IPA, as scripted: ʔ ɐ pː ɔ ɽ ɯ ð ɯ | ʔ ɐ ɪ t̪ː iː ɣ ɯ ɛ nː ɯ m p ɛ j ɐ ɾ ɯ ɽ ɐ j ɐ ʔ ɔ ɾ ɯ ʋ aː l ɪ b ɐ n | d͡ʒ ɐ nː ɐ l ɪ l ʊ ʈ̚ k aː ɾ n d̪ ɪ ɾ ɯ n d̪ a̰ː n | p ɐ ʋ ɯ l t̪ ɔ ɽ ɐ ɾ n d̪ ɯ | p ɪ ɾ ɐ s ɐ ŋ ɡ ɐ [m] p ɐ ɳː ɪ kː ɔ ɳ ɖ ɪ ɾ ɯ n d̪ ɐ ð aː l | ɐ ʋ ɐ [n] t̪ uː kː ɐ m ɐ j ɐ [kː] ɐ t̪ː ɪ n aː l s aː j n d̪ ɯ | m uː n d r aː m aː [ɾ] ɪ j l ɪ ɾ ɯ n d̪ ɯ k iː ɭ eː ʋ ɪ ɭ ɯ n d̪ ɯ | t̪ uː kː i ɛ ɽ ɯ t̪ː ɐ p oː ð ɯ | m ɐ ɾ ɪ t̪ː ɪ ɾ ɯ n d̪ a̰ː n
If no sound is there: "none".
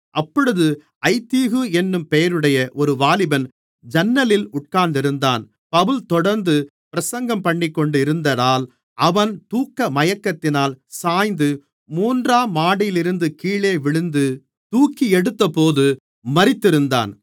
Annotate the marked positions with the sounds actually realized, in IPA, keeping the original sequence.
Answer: m, n, kː, ɽ

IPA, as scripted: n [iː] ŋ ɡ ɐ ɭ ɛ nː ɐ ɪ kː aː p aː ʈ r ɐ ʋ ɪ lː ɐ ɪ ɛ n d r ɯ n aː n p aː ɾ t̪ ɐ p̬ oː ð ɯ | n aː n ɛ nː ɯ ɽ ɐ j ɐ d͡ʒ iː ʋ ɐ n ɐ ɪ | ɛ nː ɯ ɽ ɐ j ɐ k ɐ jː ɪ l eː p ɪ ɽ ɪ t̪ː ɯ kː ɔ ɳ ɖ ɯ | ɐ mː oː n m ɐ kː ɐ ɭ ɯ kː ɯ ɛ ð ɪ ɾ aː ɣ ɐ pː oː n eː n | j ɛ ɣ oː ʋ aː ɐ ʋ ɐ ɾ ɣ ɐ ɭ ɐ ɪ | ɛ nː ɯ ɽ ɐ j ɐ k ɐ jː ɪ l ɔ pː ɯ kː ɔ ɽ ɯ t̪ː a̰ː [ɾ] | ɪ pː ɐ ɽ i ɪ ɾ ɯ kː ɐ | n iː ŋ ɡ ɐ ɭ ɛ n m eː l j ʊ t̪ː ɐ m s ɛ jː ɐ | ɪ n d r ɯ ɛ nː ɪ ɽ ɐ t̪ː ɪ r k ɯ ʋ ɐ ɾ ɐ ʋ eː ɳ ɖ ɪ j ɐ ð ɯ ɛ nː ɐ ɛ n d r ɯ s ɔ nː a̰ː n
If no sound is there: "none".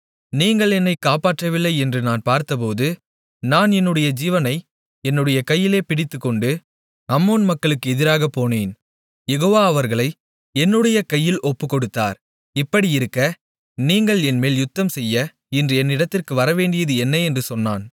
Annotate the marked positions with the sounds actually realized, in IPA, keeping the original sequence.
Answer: iː, ɾ

